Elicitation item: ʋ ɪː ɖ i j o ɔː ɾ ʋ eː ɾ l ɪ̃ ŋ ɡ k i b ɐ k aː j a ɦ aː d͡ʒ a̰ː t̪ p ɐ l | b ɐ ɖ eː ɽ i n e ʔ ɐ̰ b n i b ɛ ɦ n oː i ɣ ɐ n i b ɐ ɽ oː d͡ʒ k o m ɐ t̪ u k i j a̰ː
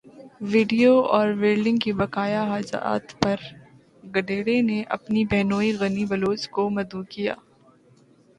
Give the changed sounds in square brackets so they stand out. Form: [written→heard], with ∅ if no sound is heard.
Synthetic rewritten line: ʋ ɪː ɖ i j o ɔː ɾ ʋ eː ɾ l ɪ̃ ŋ ɡ k i b ɐ k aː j a ɦ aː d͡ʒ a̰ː t̪ p ɐ [l→ɾ] | [b→ɡ] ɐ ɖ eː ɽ [i→e] n e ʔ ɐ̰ [b→p] n i b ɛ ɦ n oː i ɣ ɐ n i b ɐ [ɽ→l] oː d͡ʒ k o m ɐ [t̪→d̪] u k i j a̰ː